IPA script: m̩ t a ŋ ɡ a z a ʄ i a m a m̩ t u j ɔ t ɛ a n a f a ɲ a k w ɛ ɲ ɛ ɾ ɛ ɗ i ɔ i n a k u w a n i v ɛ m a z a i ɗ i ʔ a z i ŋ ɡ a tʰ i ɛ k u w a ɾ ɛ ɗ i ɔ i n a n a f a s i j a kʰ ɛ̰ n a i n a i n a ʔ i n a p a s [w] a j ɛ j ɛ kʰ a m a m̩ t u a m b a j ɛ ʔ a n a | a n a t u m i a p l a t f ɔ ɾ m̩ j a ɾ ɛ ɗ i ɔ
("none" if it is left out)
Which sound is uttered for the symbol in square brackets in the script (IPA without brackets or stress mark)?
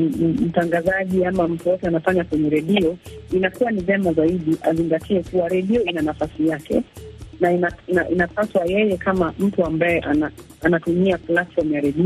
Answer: w